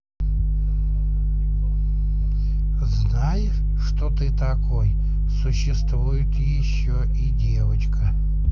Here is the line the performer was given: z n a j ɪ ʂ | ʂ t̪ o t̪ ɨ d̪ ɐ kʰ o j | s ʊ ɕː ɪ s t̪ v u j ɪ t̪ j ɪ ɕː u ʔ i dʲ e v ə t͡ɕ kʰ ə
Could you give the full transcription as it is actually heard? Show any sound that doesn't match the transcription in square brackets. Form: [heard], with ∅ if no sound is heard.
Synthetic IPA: z n a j ɪ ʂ | ʂ t̪ o t̪ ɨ [t̪] ɐ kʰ o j | s ʊ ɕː ɪ s t̪ v u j ɪ t̪ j ɪ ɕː [o] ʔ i dʲ e v ə t͡ɕ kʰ ə